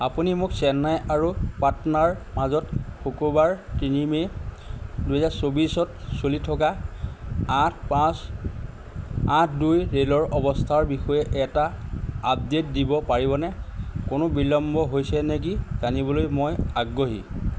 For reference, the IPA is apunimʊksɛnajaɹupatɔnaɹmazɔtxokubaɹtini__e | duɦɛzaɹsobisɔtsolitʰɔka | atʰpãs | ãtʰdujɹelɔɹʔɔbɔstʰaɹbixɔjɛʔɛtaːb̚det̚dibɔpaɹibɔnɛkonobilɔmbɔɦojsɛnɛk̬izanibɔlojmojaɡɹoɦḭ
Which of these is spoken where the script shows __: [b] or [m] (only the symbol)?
m